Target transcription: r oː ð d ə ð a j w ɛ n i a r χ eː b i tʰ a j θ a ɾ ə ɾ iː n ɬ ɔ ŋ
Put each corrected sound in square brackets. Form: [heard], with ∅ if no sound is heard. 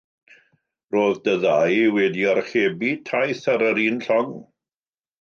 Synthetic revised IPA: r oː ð d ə ð a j w ɛ [d] i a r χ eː b i tʰ a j θ a ɾ ə ɾ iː n ɬ ɔ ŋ